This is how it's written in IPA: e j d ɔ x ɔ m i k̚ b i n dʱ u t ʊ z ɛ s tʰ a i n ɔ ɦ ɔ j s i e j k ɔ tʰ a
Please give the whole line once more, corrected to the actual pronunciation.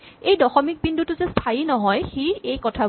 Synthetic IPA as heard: e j d ɔ x ɔ m i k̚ b i n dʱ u t ʊ z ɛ s tʰ a i n ɔ ɦ ɔ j x i e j k ɔ tʰ a